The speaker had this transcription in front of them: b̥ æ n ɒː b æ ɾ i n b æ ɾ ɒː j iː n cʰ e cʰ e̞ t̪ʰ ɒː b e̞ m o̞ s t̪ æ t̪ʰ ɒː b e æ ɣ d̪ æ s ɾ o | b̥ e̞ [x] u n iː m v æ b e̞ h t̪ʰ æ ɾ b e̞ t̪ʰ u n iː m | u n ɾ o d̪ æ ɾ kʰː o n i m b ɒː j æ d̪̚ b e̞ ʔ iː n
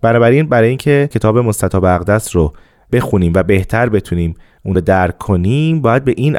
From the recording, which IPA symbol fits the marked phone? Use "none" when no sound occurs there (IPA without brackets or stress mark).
x